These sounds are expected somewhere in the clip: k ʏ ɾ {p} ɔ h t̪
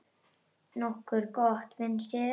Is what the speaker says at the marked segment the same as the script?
no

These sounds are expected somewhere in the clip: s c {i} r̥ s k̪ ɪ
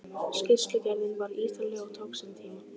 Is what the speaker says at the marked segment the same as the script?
no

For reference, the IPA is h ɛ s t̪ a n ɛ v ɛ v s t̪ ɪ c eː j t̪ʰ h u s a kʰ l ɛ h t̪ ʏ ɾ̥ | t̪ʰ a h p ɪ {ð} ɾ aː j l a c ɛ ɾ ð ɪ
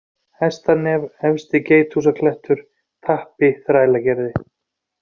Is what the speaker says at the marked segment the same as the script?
no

